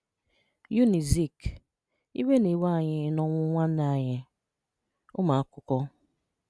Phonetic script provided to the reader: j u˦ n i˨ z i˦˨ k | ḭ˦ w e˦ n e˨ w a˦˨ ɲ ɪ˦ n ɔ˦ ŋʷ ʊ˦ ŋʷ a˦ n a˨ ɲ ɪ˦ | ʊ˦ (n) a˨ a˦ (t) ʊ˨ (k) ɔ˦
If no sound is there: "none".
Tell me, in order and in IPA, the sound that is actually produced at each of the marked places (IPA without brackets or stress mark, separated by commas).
m, k, k